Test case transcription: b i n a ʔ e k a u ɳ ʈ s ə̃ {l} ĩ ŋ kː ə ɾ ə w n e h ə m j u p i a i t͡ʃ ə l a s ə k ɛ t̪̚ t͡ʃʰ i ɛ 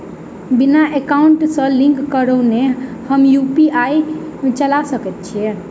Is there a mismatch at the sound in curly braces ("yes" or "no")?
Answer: no